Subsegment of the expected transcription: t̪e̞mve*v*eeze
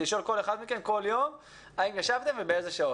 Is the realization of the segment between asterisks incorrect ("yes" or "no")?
yes